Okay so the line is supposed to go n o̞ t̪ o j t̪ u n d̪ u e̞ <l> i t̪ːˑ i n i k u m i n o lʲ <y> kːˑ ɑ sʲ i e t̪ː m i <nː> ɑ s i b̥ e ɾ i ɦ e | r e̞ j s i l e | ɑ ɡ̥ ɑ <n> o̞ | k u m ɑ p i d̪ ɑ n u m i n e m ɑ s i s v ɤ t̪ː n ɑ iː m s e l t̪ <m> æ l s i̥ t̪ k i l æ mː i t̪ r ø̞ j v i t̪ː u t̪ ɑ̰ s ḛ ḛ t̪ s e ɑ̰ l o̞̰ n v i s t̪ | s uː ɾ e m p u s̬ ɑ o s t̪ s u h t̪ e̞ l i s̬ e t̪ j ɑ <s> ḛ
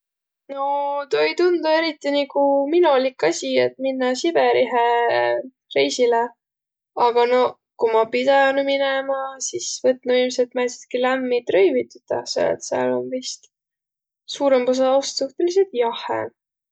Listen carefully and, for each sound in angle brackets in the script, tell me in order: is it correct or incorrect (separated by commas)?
incorrect, incorrect, correct, correct, correct, incorrect